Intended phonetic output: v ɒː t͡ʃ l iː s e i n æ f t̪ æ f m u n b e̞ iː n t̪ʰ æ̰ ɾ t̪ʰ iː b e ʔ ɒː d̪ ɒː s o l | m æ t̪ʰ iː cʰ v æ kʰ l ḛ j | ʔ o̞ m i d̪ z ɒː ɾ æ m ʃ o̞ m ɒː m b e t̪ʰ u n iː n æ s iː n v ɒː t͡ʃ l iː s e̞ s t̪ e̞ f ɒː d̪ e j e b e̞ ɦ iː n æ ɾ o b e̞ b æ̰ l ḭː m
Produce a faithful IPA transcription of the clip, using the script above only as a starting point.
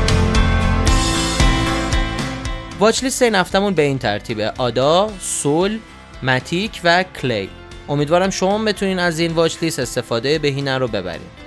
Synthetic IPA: v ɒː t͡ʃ l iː s e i n æ f t̪ æ m u n b e̞ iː n t̪ʰ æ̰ ɾ t̪ʰ iː b e ʔ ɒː d̪ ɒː s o l | m æ t̪ʰ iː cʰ v æ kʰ l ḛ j | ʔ o̞ m i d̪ v ɒː ɾ æ m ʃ o̞ m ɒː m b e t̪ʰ u n iː n æ z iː n v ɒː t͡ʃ l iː s e̞ s t̪ e̞ f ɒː d̪ e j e b e̞ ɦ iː n æ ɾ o b e̞ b æ̰ ɾ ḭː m